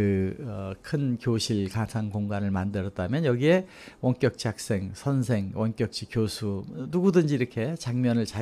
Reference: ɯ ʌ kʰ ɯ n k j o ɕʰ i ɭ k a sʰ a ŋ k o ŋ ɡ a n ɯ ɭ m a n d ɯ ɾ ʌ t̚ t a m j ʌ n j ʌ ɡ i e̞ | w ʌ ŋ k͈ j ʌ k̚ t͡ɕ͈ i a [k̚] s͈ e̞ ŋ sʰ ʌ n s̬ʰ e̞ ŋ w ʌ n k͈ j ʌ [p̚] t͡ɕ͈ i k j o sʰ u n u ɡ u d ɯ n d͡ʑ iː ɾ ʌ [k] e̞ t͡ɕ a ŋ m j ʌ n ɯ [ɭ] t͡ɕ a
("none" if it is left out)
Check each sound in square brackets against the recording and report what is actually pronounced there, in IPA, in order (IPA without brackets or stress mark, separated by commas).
k̚, k̚, kʰ, ɭ